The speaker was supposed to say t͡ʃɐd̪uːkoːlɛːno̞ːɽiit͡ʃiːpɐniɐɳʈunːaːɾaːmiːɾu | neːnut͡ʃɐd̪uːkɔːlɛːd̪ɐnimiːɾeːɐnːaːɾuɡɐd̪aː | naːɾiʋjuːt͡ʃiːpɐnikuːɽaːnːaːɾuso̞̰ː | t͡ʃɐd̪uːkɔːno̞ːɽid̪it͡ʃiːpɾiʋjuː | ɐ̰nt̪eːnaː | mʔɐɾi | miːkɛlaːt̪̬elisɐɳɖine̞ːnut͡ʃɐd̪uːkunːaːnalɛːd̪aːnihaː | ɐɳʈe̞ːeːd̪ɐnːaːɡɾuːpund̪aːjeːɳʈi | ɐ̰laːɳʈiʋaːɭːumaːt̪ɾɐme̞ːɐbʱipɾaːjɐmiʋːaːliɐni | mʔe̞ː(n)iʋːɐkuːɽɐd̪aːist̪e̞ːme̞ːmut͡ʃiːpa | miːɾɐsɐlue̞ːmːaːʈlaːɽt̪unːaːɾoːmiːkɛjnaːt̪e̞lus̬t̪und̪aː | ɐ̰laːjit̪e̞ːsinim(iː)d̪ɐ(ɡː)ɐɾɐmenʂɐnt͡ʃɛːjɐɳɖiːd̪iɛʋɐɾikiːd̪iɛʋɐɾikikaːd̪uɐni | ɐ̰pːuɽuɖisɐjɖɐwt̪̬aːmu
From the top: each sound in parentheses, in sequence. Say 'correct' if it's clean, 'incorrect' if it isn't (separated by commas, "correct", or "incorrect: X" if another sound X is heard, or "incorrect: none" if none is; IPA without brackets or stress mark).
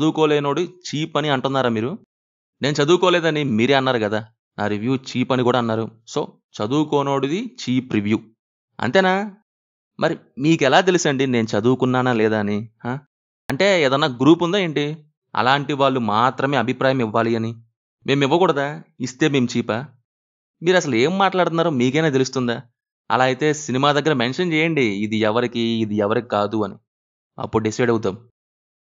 incorrect: m, incorrect: aː, correct